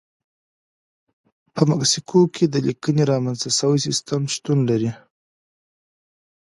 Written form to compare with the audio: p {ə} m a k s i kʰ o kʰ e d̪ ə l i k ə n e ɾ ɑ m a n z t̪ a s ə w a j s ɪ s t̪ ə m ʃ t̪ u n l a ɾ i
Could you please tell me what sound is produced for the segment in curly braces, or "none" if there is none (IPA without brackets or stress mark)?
ə